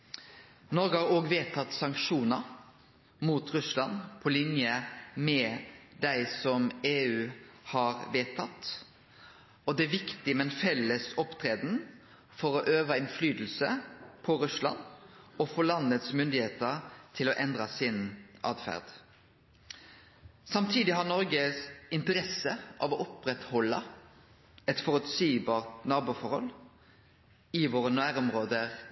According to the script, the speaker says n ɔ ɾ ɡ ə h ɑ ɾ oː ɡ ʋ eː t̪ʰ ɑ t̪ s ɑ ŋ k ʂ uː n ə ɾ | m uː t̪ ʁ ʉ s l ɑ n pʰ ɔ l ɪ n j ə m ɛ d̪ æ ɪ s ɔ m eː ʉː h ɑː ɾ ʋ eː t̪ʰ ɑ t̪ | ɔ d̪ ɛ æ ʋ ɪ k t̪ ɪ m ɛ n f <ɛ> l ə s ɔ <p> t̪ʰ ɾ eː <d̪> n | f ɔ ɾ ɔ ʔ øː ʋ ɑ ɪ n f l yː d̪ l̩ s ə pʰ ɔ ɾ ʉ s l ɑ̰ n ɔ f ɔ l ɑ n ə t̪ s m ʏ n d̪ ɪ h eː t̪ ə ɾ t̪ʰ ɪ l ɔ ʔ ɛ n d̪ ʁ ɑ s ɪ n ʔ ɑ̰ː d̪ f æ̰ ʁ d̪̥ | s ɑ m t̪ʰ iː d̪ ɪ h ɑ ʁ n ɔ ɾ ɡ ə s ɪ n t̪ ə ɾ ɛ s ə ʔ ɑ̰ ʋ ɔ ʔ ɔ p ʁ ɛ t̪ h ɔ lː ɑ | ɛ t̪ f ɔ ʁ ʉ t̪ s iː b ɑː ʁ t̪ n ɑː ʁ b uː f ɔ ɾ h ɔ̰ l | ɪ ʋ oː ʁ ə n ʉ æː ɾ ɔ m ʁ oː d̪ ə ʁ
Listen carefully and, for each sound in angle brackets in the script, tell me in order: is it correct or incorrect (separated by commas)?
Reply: correct, correct, correct